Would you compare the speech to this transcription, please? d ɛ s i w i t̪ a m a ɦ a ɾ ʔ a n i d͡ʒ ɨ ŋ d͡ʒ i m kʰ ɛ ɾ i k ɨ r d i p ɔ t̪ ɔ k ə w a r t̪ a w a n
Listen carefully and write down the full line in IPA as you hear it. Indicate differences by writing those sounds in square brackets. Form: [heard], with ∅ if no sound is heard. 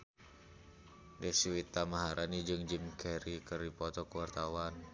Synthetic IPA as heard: d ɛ s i w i t̪ a m a ɦ a ɾ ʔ a n i d͡ʒ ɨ ŋ d͡ʒ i m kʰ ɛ ɾ i k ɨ r d i p ɔ t̪ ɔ k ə w a r t̪ a w a n